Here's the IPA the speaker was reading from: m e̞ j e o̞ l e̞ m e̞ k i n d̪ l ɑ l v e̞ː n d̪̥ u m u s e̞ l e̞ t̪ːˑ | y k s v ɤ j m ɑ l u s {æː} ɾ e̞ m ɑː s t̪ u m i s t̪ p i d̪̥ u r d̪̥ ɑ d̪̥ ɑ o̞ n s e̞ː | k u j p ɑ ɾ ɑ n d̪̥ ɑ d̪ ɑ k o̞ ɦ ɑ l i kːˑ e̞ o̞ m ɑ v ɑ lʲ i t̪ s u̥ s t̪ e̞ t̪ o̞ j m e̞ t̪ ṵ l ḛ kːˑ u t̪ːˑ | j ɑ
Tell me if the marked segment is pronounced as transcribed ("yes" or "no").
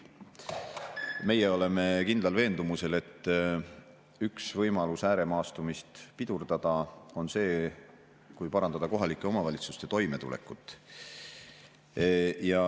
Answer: yes